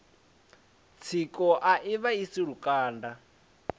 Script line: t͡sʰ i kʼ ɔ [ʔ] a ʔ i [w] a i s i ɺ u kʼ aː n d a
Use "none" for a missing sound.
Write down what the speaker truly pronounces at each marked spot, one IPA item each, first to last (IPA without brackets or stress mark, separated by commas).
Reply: ʔ, β